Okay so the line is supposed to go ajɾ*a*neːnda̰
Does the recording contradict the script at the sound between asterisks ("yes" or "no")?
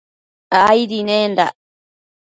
yes